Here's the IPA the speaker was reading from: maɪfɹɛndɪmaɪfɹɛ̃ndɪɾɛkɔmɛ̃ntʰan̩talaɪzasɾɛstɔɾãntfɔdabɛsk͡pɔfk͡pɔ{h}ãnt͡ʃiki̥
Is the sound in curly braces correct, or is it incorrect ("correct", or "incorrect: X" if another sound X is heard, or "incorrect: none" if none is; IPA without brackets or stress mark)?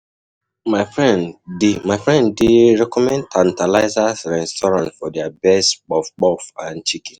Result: incorrect: f